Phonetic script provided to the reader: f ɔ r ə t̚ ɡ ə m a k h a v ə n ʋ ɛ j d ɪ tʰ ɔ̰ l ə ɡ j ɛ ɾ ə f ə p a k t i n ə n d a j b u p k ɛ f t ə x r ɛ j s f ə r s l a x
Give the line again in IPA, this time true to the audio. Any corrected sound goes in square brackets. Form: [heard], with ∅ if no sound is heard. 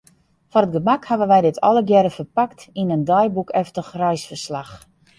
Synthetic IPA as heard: f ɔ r ə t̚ ɡ ə m a k h a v ə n ʋ ɛ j d ɪ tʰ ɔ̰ l ə ɡ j ɛ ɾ ə f ə p a k t i n ə n d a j b u [∅] k ɛ f t ə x r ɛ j s f ə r s l a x